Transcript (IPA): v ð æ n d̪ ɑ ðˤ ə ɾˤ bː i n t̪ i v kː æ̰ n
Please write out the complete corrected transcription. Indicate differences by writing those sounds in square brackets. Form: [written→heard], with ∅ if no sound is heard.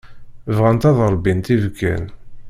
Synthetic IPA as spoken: v [ð→ʁ] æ n [d̪→t̪] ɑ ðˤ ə ɾˤ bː i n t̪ i v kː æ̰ n